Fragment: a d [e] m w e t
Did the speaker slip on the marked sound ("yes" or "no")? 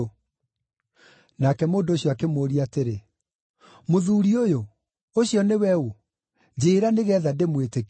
no